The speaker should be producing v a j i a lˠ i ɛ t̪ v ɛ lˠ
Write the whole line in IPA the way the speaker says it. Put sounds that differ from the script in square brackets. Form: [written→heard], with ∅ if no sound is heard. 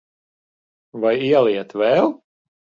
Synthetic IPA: v a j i [a→ɛ] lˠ i ɛ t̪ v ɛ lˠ